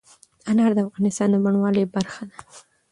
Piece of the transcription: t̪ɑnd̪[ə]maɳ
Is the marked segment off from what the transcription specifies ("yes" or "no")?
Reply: no